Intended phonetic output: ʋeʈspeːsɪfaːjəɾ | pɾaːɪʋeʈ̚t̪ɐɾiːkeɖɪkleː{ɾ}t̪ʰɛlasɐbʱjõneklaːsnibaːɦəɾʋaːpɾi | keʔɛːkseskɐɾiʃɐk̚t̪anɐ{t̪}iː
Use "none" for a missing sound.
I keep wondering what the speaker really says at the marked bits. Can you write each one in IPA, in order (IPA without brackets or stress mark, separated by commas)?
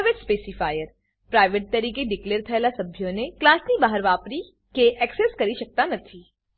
ɾ, t̪ʰ